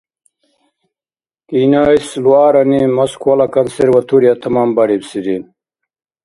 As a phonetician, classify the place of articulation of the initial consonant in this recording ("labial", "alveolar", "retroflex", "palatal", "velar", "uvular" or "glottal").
velar